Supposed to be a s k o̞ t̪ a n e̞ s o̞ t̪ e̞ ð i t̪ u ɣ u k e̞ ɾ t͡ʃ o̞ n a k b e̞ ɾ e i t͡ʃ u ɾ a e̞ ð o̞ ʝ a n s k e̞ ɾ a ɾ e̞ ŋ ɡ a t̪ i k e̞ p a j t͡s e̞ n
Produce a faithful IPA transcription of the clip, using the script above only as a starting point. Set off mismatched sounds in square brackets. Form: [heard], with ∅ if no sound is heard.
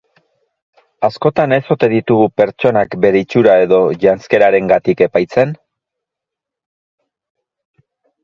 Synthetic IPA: a s k o̞ t̪ a n e̞ s o̞ t̪ e̞ ð i t̪ u ɣ u [p] e̞ ɾ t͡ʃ o̞ n a k b e̞ ɾ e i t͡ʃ u ɾ a e̞ ð o̞ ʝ a n s k e̞ ɾ a ɾ e̞ ŋ ɡ a t̪ i k e̞ p a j t͡s e̞ n